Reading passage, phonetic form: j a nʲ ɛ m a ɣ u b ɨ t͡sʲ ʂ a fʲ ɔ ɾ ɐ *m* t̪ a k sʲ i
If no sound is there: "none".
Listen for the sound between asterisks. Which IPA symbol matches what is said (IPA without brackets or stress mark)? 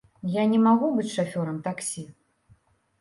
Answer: m